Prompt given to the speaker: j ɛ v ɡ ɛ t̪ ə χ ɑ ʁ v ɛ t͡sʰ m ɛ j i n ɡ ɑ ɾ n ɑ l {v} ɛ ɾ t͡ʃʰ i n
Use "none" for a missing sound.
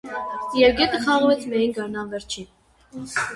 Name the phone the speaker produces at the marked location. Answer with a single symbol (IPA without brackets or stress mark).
v